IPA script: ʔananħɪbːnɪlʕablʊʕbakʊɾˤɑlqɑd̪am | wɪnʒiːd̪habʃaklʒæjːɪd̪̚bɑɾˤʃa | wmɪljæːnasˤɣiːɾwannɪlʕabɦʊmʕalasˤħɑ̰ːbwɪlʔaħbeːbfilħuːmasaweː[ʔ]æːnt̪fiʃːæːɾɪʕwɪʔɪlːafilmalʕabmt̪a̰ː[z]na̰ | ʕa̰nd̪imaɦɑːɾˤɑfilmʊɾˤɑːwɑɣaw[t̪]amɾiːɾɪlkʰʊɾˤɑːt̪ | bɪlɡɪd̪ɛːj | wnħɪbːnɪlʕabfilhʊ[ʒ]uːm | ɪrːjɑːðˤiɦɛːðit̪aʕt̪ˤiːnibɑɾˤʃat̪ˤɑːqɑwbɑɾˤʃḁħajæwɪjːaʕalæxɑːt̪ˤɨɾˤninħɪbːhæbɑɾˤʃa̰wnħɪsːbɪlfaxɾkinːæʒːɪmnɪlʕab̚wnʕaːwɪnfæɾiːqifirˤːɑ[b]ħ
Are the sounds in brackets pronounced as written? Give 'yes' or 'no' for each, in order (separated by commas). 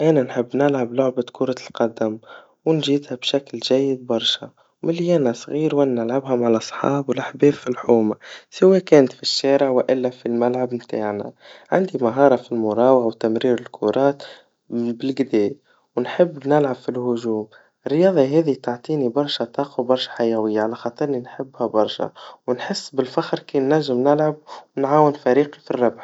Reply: no, no, yes, yes, yes